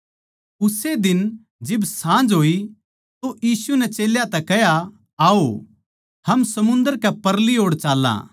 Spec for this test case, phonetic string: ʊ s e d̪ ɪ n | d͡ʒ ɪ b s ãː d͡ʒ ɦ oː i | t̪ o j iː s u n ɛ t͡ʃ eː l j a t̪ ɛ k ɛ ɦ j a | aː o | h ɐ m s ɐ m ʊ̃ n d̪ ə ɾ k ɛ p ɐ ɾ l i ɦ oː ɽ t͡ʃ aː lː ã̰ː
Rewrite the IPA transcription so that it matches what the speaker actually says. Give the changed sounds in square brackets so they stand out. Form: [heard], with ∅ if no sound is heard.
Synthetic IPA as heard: ʊ s e d̪ ɪ n | d͡ʒ ɪ b s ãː d͡ʒ ɦ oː i | t̪ o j iː s u n ɛ t͡ʃ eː l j a t̪ ɛ k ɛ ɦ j a | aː o | h ɐ m s ɐ m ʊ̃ n d̪ ə ɾ k ɛ p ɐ ɾ l i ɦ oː ɽ t͡ʃ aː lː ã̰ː